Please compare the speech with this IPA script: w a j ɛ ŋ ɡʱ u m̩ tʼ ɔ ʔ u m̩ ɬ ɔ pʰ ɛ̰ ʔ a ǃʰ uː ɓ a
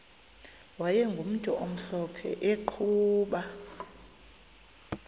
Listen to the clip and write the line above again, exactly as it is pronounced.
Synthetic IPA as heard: w a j ɛ ŋ ɡʱ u m̩ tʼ ɔ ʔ o m̩ ɬ ɔ pʰ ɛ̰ ʔ e ǃʰ uː ɓ a